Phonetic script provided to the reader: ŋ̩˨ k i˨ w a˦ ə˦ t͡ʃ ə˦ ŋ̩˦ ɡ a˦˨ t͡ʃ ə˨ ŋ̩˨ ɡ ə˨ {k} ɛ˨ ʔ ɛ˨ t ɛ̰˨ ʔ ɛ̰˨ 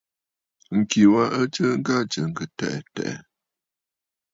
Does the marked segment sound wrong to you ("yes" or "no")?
yes